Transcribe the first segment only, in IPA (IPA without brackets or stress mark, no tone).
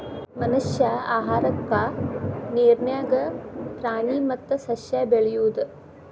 m